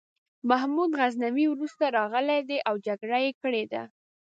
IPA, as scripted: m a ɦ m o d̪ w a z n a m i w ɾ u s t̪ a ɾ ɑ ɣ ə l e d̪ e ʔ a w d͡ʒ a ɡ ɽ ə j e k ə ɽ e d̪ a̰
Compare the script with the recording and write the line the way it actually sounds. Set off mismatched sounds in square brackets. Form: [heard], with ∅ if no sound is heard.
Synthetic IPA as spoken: m a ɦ m [u] d̪ [ɣ] a z n a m i w ɾ u s t̪ a ɾ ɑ ɣ ə l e d̪ e ʔ a w d͡ʒ a ɡ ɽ [a] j e k ə ɽ e d̪ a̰